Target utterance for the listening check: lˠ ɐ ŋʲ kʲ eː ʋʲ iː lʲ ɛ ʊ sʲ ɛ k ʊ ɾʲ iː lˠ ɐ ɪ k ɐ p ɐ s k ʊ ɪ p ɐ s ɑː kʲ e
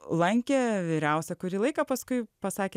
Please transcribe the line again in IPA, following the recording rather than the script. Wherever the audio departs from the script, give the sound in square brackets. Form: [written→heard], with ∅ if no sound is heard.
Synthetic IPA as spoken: lˠ ɐ ŋʲ kʲ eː ʋʲ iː [lʲ→ɾʲ] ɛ ʊ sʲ ɛ k ʊ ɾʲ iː lˠ ɐ ɪ k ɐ p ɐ s k ʊ ɪ p ɐ s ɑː kʲ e